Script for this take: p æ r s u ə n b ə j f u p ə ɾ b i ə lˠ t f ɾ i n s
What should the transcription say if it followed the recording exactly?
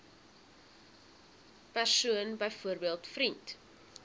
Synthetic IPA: p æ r s u ə n b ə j f u ə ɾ b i ə lˠ t f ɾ i n t